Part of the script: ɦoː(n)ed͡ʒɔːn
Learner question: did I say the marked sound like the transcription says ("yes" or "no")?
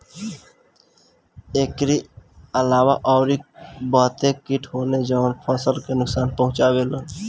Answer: yes